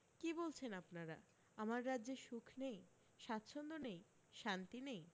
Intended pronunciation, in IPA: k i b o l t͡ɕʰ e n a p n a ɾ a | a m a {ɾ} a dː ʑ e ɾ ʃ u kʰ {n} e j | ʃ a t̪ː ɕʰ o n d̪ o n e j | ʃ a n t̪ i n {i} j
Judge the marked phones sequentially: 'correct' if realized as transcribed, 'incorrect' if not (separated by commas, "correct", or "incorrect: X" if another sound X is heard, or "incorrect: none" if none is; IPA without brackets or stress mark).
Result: incorrect: ɾː, correct, incorrect: e